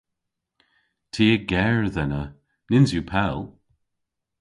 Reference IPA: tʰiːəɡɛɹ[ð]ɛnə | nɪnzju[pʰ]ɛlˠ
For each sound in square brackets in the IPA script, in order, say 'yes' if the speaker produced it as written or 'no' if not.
yes, yes

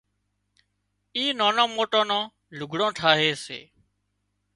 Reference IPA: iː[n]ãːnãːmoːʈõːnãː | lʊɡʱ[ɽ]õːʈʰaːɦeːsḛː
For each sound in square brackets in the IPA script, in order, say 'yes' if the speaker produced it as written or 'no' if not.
yes, yes

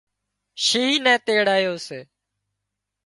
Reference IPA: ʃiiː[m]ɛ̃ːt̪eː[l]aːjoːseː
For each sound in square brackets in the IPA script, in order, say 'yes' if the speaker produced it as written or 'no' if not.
no, no

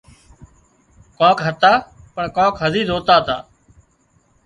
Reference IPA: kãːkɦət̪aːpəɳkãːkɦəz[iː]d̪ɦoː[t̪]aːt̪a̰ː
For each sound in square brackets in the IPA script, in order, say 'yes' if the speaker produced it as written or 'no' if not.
yes, yes

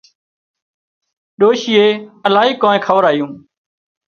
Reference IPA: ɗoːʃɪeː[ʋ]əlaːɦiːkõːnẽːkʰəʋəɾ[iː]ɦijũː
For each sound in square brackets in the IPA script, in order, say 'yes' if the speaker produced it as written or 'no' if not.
no, no

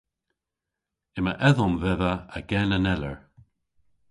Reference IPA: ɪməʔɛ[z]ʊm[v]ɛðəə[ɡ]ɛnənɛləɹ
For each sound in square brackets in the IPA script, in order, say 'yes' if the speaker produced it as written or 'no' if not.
no, yes, yes

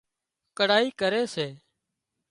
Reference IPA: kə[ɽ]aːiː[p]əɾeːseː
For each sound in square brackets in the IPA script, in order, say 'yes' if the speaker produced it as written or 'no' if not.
yes, no

